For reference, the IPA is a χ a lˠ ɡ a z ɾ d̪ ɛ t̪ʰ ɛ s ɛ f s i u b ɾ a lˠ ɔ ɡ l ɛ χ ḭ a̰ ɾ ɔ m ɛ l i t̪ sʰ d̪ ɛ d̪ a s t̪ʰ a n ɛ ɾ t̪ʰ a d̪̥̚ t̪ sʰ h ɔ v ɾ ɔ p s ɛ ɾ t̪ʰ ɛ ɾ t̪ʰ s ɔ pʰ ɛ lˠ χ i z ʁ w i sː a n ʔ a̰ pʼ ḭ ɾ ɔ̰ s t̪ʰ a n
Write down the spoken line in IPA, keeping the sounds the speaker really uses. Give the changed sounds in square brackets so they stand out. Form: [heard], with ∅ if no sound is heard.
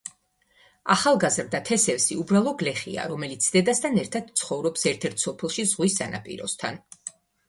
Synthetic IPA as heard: a χ a lˠ ɡ a z ɾ d̪ [a] t̪ʰ ɛ s ɛ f s i u b ɾ a lˠ ɔ ɡ l ɛ χ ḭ a̰ ɾ ɔ m ɛ l i t̪ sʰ d̪ ɛ d̪ a s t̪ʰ a n ɛ ɾ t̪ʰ a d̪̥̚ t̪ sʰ [χ] ɔ v ɾ ɔ p s ɛ ɾ t̪ʰ ɛ ɾ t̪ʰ s ɔ pʰ ɛ lˠ [ʃ] i z ʁ w i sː a n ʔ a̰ pʼ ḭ ɾ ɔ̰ s t̪ʰ a n